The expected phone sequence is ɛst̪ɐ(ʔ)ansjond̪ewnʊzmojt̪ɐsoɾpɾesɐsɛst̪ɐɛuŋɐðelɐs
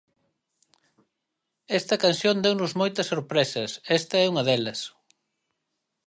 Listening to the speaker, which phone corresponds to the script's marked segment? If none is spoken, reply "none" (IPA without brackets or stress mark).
k